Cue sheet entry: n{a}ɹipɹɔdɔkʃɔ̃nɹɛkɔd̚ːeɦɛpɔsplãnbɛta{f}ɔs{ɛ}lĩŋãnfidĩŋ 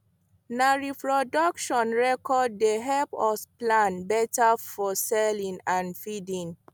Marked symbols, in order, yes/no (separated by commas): yes, yes, yes